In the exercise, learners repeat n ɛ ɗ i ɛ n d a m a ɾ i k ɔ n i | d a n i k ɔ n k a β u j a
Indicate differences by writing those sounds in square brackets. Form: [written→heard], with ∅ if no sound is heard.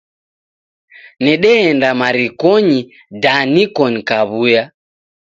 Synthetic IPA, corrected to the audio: n ɛ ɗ [i→ɛ] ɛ n d a m a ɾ i k ɔ [n→ɲ] i | d a n i k ɔ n k a β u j a